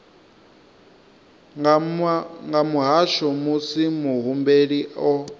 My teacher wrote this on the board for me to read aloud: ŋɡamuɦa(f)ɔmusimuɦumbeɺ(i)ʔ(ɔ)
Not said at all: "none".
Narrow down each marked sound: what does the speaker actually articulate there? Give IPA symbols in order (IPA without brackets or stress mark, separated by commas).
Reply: ʃ, i, ɔ